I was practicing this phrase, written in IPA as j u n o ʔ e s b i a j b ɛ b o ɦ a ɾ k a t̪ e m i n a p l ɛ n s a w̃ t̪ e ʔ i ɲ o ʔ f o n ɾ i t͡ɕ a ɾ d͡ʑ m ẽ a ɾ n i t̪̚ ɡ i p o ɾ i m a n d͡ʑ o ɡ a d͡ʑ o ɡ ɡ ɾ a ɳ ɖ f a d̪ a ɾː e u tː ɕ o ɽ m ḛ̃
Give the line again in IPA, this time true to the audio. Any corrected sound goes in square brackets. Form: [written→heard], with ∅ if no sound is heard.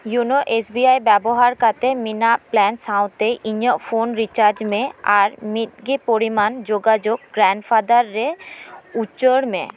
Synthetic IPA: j u n o ʔ e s b i a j b ɛ b o ɦ a ɾ k a t̪ e m i n a p l ɛ n s a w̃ t̪ e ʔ i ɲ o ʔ f o n ɾ i t͡ɕ a ɾ d͡ʑ m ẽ a ɾ [n→m] i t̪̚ ɡ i p o ɾ i m a n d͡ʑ o ɡ a d͡ʑ o ɡ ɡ ɾ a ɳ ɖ f a d̪ a ɾː e u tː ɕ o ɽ m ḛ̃